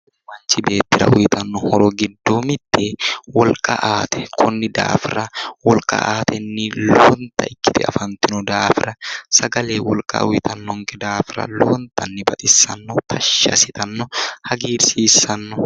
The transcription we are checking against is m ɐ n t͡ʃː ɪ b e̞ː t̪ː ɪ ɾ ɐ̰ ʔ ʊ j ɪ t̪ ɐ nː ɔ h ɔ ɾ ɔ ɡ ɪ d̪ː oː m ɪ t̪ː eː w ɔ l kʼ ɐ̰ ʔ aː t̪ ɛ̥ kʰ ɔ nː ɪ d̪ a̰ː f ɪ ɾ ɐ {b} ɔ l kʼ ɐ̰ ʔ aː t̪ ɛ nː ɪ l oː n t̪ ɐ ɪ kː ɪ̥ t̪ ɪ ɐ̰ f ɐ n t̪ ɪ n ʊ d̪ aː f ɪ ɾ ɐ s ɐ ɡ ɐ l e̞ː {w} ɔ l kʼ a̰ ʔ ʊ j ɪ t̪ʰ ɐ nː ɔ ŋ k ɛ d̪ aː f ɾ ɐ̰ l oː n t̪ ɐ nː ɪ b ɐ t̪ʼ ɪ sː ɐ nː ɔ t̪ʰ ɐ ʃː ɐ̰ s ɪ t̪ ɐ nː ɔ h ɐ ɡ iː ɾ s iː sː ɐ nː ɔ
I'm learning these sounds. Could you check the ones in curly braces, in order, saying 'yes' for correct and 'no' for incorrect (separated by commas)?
no, yes